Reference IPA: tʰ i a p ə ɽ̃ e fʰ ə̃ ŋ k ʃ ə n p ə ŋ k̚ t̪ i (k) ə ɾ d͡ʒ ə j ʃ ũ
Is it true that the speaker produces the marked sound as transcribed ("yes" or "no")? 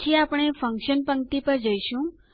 no